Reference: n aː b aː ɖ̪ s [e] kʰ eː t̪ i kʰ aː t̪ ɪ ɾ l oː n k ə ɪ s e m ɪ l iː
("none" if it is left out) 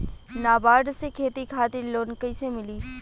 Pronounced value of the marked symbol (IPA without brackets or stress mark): e